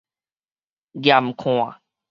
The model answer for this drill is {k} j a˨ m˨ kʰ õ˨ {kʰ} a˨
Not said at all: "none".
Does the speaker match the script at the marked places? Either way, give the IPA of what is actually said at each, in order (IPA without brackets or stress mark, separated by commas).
ɡ, none